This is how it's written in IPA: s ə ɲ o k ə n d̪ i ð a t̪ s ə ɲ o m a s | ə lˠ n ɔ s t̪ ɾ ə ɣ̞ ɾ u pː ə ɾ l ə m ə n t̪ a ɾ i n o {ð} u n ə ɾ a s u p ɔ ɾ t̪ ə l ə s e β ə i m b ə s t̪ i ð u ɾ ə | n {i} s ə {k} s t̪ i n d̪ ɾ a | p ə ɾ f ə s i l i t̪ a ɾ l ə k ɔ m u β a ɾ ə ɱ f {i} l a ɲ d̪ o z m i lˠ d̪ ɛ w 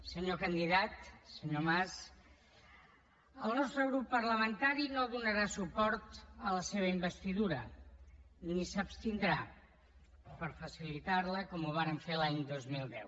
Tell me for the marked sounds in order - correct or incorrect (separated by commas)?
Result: correct, correct, incorrect, incorrect